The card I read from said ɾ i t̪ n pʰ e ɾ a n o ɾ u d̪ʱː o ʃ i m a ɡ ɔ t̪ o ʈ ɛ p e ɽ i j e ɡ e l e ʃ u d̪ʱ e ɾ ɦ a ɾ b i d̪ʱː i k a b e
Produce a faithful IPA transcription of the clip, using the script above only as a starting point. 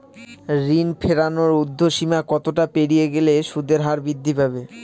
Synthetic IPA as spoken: ɾ i n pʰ e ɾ a n o ɾ u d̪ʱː o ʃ i m a k ɔ t̪ o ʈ a p e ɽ i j e ɡ e l e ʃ u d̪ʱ e ɾ ɦ a ɾ b i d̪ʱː i p a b e